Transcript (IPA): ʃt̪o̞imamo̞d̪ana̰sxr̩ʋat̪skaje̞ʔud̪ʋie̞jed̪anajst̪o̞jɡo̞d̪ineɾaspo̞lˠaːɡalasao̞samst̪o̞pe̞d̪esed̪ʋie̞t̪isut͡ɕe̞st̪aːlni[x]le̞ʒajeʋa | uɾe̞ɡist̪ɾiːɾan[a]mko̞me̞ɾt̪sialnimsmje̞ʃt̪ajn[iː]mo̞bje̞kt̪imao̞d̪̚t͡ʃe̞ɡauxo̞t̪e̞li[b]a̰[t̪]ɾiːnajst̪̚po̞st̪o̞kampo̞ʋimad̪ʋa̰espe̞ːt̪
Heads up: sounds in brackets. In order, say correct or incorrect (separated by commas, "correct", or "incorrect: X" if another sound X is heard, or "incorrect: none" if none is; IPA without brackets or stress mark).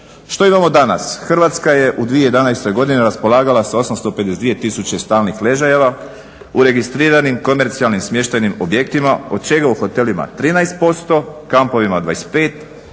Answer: correct, incorrect: i, incorrect: i, incorrect: m, correct